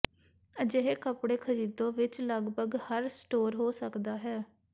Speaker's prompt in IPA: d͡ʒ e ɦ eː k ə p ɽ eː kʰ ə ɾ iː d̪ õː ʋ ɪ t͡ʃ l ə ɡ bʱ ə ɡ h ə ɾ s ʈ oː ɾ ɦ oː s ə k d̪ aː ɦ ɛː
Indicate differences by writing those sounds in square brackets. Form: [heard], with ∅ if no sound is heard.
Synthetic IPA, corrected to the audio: d͡ʒ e ɦ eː k ə p ɽ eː kʰ ə ɾ iː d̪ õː ʋ ɪ t͡ʃ l ə ɡ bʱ ə ɡ h ə ɾ s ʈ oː ɾ ɦ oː s ə k d̪ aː ɦ ɛː